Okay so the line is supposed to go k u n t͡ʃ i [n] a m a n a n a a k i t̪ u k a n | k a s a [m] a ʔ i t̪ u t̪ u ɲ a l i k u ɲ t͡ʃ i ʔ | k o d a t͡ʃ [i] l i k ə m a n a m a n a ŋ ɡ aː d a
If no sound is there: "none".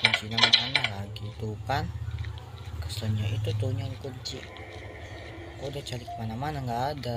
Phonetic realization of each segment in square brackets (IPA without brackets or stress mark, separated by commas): n, ɲ, a